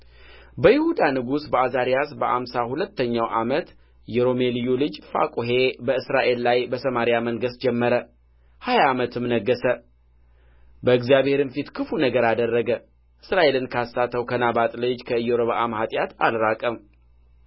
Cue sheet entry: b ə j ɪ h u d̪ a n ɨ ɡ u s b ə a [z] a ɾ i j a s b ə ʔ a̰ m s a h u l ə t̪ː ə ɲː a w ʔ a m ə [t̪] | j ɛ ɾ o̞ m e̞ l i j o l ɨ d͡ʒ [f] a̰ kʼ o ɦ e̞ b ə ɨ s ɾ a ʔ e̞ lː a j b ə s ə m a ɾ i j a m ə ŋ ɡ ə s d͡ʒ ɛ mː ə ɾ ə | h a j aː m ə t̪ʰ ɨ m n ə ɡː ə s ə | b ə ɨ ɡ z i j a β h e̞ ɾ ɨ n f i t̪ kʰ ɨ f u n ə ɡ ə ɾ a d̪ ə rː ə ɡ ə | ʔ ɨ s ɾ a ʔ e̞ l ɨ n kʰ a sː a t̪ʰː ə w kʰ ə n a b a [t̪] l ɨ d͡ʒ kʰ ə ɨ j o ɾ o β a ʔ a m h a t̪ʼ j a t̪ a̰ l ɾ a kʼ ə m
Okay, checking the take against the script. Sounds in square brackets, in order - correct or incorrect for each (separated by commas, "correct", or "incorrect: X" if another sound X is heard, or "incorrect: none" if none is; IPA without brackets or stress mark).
correct, correct, correct, incorrect: t̪ʼ